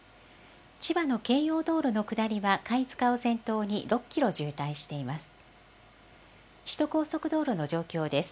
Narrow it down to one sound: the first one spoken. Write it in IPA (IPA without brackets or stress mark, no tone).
t͡ɕ